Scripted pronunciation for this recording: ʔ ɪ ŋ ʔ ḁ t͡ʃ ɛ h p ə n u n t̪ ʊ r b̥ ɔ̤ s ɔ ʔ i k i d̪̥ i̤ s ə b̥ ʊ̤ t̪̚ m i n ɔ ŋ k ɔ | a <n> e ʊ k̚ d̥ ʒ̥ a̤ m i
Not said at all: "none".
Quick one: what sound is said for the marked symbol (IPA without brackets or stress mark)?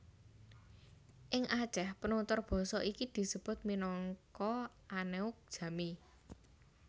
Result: n